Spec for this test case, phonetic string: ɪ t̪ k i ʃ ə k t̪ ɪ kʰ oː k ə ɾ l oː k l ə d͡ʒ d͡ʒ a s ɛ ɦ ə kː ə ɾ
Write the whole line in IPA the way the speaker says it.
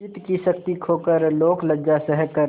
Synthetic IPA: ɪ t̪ k i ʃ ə k t̪ i kʰ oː k ə ɾ l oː k l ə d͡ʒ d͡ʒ a s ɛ ɦ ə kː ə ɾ